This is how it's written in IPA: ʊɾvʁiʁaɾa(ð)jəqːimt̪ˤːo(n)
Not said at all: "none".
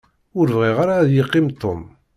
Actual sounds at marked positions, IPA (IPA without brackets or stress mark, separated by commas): ð, m